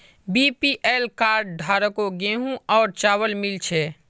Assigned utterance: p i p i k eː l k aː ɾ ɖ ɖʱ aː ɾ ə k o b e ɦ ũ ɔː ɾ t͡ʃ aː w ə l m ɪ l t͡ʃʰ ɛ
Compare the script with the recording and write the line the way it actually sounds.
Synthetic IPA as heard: b i p i ʔ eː l k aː ɾ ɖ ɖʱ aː ɾ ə k o ɡ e ɦ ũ ɔː ɾ t͡ʃ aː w ə l m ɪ l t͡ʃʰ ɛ